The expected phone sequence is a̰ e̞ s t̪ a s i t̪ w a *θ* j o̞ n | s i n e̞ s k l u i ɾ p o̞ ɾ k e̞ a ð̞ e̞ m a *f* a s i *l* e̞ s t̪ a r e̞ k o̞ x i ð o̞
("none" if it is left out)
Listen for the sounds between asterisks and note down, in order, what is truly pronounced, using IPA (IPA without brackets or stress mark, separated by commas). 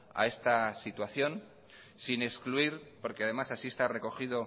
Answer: θ, s, none